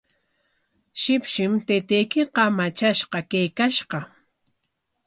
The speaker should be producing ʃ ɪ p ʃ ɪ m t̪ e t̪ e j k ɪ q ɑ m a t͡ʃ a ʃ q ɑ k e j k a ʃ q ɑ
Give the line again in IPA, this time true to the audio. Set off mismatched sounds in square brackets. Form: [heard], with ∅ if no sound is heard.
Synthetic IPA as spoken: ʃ ɪ p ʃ ɪ m t̪ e t̪ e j k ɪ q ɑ m a t͡ʃ a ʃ q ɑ k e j k a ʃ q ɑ